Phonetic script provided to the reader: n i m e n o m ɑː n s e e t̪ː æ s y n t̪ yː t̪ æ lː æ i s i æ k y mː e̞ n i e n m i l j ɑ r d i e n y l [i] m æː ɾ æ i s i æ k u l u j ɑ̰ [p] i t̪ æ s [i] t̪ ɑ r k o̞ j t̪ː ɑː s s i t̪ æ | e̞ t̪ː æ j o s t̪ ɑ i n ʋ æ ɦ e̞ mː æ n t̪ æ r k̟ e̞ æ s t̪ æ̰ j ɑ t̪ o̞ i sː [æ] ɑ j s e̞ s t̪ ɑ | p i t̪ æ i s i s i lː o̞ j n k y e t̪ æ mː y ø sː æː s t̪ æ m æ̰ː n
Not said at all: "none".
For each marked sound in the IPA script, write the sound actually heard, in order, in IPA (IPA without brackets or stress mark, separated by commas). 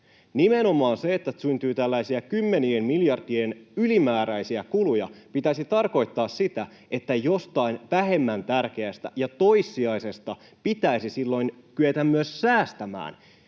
i, p, i, i